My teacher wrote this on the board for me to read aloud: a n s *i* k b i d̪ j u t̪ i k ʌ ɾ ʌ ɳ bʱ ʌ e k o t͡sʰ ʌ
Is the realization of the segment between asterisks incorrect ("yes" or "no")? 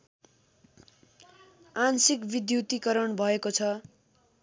no